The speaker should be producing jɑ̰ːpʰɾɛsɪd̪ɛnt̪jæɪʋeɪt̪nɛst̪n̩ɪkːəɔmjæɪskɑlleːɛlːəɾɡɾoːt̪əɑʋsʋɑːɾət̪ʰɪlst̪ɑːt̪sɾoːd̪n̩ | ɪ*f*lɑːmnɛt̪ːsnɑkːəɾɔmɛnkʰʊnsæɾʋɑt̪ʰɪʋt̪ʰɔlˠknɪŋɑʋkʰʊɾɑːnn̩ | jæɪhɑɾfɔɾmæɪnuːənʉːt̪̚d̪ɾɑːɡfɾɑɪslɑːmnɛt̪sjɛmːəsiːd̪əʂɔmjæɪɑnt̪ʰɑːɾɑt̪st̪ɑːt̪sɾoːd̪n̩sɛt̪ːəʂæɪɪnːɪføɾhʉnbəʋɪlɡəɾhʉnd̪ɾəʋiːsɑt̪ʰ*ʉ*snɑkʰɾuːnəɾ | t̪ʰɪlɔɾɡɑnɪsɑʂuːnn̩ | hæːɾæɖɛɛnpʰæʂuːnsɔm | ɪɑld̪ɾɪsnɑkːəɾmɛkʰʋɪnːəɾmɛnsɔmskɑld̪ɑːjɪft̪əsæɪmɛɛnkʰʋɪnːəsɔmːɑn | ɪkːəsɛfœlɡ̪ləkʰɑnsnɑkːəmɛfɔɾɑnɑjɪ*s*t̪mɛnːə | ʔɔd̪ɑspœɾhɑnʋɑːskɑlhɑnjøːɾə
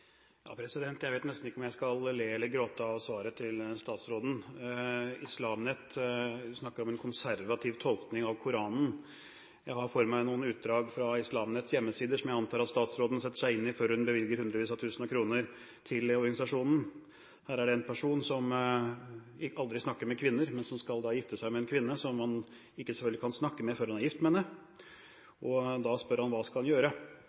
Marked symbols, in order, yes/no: no, no, no

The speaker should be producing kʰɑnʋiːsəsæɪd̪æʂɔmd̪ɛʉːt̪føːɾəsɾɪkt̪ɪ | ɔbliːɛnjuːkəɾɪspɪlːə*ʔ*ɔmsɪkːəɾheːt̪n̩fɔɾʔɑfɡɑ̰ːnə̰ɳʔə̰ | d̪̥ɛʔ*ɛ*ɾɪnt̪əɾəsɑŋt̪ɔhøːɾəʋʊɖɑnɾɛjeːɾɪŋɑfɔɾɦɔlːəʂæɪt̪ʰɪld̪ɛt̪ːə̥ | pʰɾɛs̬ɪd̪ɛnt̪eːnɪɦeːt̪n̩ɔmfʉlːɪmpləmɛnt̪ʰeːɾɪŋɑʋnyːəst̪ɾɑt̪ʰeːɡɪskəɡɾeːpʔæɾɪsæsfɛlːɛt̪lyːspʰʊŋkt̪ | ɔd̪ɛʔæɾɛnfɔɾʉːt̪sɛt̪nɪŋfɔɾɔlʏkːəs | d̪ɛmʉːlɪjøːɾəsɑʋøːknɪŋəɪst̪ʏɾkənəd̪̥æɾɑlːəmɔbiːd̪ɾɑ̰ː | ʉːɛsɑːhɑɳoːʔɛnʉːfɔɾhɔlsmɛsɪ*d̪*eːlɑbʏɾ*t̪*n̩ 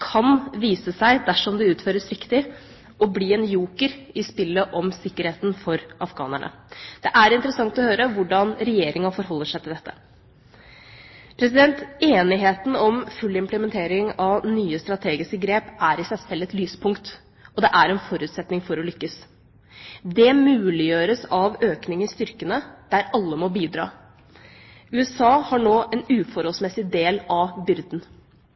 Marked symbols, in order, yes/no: yes, no, yes, no

